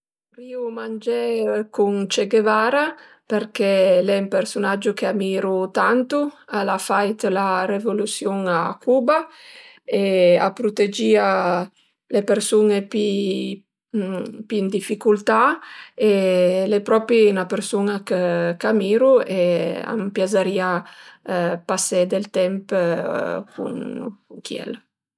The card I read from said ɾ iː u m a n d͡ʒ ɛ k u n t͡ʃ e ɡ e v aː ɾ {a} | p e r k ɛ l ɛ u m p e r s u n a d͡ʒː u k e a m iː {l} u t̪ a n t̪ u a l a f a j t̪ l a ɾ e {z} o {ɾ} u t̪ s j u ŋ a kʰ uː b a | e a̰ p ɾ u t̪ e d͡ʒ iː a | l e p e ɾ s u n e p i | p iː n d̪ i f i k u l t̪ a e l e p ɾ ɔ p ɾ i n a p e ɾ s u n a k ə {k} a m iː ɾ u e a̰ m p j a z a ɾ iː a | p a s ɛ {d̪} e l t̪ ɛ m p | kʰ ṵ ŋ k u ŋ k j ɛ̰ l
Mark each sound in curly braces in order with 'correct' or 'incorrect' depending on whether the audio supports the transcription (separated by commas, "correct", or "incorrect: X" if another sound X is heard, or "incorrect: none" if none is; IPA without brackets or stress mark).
correct, incorrect: ɾ, incorrect: v, incorrect: l, correct, correct